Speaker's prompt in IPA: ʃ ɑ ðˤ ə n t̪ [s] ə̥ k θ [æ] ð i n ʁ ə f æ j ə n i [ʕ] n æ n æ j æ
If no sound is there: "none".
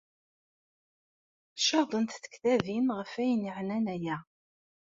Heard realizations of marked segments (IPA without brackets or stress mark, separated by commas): θ, æ, ʕ